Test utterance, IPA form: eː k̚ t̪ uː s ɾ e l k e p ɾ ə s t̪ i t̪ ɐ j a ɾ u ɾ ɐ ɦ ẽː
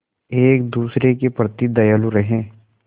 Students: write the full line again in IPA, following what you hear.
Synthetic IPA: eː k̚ d̪ uː s ɾ e k e p ɾ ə t̪ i d̪ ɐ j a l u ɾ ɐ ɦ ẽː

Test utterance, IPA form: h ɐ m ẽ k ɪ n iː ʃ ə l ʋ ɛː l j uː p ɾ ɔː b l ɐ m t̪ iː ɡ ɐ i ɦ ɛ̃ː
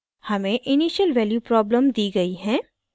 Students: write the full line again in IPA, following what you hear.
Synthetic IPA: h ɐ m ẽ ʔ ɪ n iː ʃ ə l ʋ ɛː l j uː p ɾ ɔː b l ə m d̪ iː ɡ ɐ i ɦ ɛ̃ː

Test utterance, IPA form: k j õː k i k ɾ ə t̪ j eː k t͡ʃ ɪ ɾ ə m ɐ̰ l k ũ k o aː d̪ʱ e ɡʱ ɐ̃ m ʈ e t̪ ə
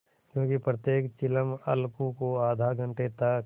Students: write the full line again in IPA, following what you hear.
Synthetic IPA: k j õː k i p ɾ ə t̪ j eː k t͡ʃ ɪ l ə m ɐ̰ l k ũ k o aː d̪ʱ a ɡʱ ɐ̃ ɳ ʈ e t̪ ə

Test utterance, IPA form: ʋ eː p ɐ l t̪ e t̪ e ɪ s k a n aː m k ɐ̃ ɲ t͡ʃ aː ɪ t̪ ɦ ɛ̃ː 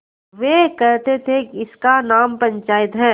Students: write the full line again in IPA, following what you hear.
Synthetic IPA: ʋ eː k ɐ ɾ t̪ e t̪ʰ e ɪ s k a n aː m p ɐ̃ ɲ t͡ʃ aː ɪ t̪ ɦ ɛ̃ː

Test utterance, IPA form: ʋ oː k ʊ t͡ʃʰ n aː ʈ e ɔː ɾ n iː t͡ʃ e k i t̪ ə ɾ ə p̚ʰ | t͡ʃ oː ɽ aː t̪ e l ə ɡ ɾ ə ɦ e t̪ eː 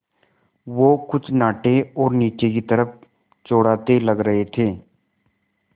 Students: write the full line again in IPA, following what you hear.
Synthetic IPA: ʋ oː k ʊ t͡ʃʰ n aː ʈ e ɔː ɾ n iː t͡ʃ e k i t̪ ə ɾ ə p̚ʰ | t͡ʃ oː ɽ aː t̪ e l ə ɡ ɾ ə ɦ e t̪ʰ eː

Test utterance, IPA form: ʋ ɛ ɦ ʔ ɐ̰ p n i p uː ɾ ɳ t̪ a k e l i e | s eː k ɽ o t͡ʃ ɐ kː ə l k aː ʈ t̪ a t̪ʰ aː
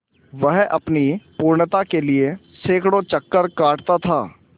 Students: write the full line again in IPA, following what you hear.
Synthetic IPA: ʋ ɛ ɦ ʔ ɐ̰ p n i p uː ɾ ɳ t̪ a k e l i e | s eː k ɽ o t͡ʃ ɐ kː ə ɾ k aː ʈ t̪ a t̪ʰ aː

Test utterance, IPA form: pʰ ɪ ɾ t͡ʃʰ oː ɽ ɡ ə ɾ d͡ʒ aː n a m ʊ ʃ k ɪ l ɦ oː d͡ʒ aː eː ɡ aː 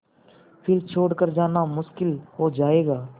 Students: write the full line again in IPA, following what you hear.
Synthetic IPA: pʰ ɪ ɾ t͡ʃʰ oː ɽ k ə ɾ d͡ʒ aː n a m ʊ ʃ k ɪ l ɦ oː d͡ʒ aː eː ɡ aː

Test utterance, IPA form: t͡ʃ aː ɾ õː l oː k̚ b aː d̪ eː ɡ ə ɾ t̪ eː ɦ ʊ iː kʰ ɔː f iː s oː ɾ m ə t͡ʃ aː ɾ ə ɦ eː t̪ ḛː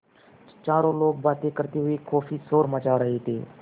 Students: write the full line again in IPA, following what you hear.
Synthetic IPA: t͡ʃ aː ɾ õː l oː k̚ b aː t̪ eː k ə ɾ t̪ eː ɦ ʊ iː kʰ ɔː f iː s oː ɾ m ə t͡ʃ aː ɾ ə ɦ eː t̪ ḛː

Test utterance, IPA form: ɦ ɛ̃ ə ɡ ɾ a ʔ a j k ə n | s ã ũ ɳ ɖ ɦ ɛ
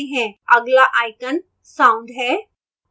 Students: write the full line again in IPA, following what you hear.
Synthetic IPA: ɦ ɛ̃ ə ɡ l a ʔ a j k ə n | s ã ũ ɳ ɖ ɦ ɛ

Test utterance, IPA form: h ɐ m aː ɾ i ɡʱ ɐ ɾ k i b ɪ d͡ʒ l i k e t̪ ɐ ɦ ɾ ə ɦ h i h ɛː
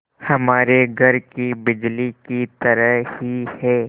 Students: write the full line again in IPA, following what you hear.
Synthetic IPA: h ɐ m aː ɾ e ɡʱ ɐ ɾ k i b ɪ d͡ʒ l i k i t̪ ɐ ɾ ə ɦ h i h ɛː

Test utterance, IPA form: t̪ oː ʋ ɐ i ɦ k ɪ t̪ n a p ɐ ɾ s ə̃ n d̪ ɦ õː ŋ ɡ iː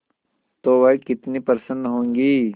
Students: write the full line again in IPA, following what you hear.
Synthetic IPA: t̪ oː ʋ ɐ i k ɪ t̪ n i p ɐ ɾ s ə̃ n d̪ ɦ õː ŋ ɡ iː

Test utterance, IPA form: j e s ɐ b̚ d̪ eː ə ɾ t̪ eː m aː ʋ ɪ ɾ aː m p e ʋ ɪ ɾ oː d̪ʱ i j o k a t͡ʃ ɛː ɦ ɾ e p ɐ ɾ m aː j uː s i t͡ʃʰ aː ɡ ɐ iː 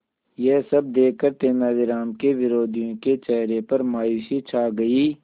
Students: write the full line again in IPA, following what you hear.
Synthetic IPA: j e s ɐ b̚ d̪ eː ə ɾ t̪ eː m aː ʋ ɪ ɾ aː m k e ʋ ɪ ɾ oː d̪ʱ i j õ k e t͡ʃ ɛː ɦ ɾ e p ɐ ɾ m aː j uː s i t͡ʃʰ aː ɡ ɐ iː

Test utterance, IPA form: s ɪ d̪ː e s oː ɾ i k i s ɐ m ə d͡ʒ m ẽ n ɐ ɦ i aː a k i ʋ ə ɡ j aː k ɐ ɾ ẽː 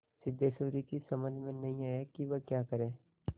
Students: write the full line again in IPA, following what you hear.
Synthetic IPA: s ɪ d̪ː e s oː ɾ i k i s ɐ m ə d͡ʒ m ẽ n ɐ ɦ ĩ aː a k i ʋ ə k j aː k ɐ ɾ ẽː

